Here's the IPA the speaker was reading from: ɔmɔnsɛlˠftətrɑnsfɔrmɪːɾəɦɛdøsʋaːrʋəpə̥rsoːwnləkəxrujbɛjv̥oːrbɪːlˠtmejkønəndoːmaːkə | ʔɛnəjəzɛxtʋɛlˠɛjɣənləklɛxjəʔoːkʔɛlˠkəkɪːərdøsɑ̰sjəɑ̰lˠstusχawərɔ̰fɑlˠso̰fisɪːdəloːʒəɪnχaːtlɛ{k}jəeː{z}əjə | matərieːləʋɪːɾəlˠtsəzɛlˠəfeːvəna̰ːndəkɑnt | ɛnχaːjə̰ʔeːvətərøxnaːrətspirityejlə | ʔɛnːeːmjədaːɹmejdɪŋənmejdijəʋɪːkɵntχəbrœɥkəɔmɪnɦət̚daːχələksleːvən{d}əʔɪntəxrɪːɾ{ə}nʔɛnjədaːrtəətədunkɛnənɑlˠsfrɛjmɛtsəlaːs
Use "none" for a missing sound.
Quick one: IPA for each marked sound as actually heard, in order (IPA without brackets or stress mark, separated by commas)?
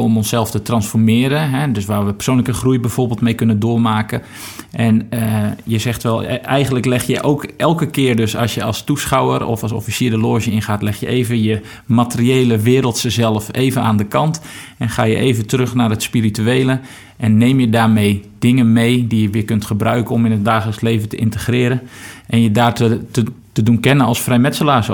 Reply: x, v, t, ə